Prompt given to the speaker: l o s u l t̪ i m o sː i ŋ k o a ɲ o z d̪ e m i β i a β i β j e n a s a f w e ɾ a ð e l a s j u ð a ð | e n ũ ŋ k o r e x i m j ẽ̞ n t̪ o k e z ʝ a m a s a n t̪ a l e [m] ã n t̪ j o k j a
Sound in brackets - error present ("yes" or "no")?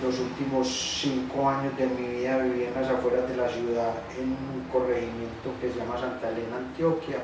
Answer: yes